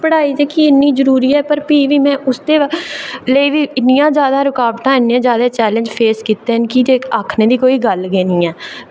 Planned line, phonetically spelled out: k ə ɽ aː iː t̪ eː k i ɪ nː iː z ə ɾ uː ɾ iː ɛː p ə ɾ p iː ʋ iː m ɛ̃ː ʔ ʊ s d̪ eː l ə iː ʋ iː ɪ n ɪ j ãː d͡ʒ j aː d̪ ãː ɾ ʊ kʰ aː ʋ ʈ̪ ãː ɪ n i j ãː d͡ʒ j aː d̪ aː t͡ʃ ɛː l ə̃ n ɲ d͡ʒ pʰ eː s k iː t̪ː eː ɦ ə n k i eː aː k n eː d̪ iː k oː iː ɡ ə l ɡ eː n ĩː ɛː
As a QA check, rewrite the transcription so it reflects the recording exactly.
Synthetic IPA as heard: p ə ɽ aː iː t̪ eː k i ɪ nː iː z ə ɾ uː ɾ iː ɛː p ə ɾ p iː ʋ iː m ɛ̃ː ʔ ʊ s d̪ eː l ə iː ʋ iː ɪ n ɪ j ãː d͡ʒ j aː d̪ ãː ɾ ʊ k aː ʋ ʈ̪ ãː ɪ n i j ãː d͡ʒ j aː d̪ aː t͡ʃ ɛː l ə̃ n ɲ d͡ʒ pʰ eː s k iː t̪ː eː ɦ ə n k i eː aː kʰ n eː d̪ iː k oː iː ɡ ə l ɡ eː n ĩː ɛː